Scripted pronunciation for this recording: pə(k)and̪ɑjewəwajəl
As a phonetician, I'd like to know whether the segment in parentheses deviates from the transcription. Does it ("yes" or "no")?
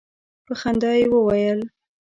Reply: yes